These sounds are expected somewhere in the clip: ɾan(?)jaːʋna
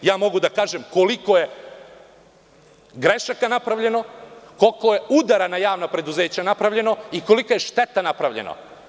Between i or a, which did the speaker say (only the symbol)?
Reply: a